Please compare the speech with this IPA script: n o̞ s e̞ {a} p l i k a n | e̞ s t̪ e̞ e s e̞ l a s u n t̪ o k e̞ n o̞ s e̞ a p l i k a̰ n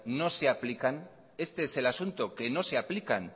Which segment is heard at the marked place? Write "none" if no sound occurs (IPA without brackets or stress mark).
a